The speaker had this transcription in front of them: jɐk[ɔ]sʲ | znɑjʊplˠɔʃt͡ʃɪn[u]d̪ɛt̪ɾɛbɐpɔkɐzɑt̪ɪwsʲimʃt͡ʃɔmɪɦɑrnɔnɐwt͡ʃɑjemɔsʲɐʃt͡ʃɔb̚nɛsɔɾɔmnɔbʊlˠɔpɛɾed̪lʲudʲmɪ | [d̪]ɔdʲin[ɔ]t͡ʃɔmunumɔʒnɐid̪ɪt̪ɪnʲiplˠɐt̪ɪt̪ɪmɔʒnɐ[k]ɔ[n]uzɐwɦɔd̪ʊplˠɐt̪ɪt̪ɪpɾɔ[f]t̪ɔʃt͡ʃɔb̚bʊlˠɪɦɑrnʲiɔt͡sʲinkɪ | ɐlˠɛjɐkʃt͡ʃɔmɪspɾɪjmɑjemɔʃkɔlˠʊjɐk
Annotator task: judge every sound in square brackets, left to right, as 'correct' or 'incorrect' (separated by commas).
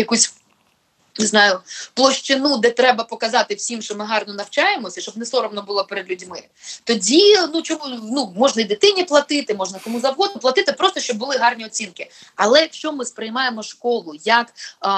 incorrect, correct, incorrect, incorrect, correct, incorrect, incorrect